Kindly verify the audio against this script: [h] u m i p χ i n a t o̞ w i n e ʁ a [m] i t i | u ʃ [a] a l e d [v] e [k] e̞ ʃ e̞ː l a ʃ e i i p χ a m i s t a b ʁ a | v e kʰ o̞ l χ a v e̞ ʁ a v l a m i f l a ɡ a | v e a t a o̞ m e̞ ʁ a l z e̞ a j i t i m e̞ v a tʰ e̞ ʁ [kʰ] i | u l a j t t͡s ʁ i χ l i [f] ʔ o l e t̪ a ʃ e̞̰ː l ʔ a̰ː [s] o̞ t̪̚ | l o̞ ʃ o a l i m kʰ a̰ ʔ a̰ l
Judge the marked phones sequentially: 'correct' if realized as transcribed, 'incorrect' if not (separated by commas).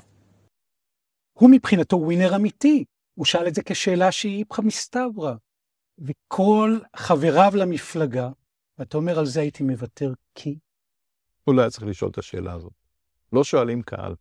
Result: correct, correct, correct, incorrect, correct, correct, incorrect, incorrect